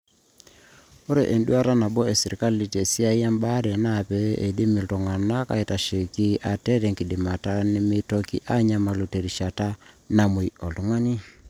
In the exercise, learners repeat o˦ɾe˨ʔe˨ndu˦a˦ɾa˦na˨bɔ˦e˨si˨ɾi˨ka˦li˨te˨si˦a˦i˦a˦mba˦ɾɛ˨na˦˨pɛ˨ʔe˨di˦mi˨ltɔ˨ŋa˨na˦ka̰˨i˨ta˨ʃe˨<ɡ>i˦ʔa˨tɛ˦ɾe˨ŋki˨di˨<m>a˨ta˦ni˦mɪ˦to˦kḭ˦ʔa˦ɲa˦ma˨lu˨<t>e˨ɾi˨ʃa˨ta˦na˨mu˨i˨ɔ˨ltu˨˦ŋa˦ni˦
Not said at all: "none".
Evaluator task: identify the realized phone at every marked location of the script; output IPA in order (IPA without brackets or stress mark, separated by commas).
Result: k, m, t